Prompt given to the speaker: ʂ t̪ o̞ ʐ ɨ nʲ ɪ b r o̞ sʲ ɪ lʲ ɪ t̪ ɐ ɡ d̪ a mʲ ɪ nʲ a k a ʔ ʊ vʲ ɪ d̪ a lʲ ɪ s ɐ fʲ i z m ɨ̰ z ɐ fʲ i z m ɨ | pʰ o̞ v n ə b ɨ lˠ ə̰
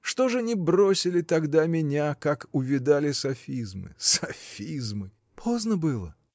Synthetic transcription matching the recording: ʂ t̪ o̞ ʐ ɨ nʲ ɪ b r o̞ sʲ ɪ lʲ ɪ t̪ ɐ ɡ d̪ a mʲ ɪ nʲ a k a k ʊ vʲ ɪ d̪ a lʲ ɪ s ɐ fʲ i z m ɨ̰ s ɐ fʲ i z m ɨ | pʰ o̞ z n ə b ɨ lˠ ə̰